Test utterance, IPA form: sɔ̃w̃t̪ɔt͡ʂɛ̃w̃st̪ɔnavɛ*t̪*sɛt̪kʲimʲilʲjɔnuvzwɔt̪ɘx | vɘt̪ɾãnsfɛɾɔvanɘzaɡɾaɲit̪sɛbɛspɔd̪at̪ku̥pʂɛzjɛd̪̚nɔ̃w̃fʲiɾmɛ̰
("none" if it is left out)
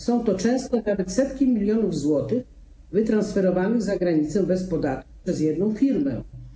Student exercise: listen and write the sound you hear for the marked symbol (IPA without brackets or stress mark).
t̪